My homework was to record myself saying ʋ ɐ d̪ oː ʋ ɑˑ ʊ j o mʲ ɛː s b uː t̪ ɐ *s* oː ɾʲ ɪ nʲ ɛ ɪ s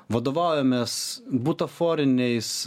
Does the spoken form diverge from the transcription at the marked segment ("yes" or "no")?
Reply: yes